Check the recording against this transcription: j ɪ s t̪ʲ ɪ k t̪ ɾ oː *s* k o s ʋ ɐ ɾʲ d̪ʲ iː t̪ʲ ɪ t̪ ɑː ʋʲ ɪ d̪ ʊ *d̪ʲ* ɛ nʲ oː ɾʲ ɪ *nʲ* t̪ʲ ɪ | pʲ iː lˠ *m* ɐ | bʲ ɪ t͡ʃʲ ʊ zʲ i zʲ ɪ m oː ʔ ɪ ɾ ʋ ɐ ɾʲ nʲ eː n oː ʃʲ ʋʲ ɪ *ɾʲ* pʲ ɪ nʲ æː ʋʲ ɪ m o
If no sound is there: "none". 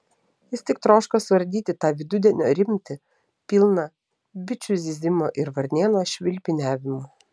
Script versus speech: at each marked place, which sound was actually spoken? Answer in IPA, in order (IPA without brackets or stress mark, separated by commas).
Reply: ʃ, d̪ʲ, mʲ, n, lʲ